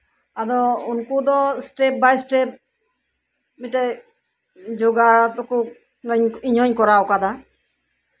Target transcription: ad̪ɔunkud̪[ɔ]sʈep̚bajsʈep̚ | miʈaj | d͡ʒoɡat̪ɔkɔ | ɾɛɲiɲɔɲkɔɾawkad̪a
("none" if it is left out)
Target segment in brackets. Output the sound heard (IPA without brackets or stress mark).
ɔ